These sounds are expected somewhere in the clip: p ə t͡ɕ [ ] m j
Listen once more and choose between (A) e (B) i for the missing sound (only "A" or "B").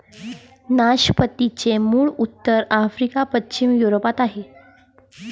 B